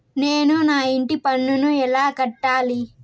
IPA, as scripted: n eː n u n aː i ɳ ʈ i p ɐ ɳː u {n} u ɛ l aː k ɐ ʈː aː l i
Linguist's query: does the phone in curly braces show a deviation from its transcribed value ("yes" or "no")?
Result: no